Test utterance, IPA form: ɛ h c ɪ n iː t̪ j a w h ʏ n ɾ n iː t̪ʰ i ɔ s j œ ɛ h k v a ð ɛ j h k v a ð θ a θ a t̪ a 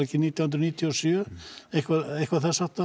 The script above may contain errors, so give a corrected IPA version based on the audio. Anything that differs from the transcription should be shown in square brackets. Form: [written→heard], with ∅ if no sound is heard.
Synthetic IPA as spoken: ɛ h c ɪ n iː t̪ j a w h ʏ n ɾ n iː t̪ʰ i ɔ s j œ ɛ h k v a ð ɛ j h k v a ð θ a [θ→s] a t̪ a